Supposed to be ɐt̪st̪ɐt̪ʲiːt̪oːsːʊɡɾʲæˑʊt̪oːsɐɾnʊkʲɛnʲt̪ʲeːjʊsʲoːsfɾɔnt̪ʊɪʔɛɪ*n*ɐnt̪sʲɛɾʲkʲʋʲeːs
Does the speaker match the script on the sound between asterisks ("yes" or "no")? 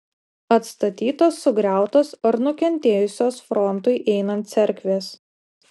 yes